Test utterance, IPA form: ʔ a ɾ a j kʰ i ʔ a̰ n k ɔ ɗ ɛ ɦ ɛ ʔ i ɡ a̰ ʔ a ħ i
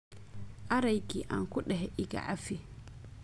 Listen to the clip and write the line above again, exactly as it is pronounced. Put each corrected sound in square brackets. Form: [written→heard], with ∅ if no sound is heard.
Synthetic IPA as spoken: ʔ a ɾ a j [kʰ→k] i ʔ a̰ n k [ɔ→u] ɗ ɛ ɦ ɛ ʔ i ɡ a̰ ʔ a [ħ→f] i